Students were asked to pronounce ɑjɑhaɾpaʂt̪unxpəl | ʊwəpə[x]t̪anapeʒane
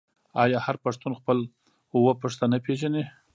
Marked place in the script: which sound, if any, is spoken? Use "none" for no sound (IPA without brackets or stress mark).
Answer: ʂ